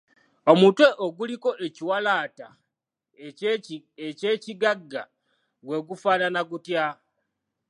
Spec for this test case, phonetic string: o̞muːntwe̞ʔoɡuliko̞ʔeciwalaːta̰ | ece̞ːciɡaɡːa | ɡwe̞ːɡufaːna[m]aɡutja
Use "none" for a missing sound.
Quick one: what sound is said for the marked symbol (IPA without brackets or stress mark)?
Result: n